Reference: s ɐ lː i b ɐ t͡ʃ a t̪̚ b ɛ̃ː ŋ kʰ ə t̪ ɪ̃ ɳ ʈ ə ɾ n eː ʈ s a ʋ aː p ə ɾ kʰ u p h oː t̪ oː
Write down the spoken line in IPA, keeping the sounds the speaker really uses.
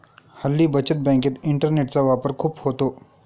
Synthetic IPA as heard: h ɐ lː i b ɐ t͡ʃ ə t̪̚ b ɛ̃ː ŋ k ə t̪ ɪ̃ ɳ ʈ ə ɾ n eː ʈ s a ʋ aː p ə ɾ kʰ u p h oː t̪ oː